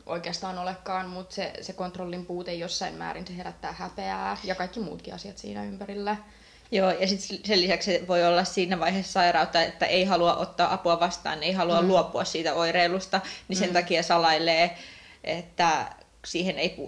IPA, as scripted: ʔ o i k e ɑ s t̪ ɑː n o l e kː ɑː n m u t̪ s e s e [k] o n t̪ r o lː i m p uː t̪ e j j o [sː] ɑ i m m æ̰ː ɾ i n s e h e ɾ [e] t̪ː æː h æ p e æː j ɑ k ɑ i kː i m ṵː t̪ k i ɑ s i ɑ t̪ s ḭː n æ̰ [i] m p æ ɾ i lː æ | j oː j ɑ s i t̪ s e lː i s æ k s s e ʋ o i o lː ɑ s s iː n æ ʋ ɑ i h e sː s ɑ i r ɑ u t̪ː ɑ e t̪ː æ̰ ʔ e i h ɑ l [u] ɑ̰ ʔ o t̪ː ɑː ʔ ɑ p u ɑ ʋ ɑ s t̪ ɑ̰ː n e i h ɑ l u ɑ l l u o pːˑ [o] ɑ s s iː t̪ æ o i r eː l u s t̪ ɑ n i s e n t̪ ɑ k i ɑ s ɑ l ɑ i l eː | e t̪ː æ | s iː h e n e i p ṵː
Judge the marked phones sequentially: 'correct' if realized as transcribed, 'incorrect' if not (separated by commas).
correct, correct, incorrect, incorrect, correct, incorrect